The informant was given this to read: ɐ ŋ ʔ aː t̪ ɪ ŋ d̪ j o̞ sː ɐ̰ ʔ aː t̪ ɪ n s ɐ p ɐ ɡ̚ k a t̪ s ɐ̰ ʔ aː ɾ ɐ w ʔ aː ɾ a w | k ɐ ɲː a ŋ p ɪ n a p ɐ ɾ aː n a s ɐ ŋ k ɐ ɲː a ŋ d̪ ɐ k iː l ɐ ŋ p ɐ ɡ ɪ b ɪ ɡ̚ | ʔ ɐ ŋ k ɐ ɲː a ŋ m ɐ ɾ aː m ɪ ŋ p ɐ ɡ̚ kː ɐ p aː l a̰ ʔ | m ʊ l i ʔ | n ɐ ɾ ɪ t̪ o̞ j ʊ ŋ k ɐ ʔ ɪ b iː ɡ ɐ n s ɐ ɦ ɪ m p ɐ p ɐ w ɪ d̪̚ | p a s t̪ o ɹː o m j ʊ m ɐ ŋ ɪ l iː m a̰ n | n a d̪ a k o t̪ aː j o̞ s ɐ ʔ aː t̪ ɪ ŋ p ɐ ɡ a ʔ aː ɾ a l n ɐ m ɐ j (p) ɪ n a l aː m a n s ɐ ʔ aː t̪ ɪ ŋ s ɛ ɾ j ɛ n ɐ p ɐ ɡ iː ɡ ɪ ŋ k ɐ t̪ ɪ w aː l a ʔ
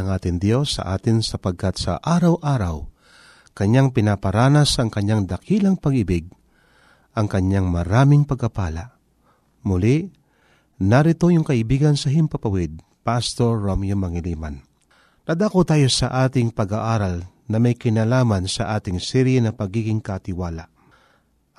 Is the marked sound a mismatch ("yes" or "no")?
yes